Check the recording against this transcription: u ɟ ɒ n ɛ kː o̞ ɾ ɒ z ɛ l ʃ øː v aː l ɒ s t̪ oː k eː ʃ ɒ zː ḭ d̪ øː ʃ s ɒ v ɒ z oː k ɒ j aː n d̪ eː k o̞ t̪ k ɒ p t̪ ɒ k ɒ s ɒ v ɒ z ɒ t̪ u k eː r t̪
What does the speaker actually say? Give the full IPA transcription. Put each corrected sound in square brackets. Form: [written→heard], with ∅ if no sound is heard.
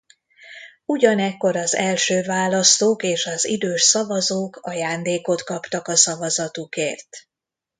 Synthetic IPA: u ɟ ɒ n ɛ kː o̞ ɾ ɒ z ɛ l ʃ øː v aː l ɒ s t̪ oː k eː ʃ ɒ [zː→z] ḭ d̪ øː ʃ s ɒ v ɒ z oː k ɒ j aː n d̪ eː k o̞ t̪ k ɒ p t̪ ɒ k ɒ s ɒ v ɒ z ɒ t̪ u k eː r t̪